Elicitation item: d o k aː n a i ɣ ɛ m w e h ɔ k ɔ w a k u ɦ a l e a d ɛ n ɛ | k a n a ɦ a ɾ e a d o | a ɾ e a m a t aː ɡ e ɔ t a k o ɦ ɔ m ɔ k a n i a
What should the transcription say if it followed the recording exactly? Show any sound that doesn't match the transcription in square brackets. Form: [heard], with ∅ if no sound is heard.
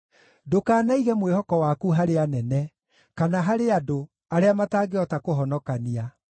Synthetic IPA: d o k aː n a i ɣ ɛ m w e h ɔ k ɔ w a k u ɦ a [ɾ] e a [n] ɛ n ɛ | k a n a ɦ a ɾ e a d o | a ɾ e a m a t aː ɡ e ɔ t a k o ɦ ɔ [n] ɔ k a n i a